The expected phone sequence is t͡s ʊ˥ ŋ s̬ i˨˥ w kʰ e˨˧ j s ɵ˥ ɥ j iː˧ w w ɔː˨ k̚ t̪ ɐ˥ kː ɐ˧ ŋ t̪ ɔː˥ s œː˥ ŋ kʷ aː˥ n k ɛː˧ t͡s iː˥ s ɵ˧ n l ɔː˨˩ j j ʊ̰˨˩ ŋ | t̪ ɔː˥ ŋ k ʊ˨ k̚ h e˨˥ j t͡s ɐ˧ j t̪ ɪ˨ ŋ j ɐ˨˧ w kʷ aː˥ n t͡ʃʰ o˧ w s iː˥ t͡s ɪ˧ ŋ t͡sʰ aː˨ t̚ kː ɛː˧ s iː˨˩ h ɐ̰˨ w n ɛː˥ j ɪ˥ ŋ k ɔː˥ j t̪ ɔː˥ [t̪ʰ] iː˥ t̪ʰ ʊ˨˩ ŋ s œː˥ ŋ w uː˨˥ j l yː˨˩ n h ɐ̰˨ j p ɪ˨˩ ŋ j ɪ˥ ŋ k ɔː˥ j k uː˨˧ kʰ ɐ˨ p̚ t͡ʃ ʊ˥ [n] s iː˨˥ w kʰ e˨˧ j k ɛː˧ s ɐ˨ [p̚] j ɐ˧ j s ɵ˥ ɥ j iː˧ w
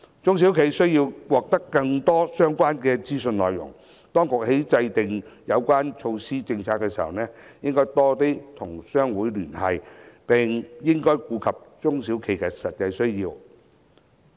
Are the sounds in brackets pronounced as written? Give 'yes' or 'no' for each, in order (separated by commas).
no, no, no